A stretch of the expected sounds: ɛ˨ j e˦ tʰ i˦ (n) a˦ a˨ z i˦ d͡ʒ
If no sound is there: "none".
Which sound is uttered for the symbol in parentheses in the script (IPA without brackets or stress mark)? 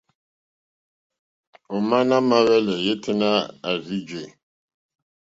n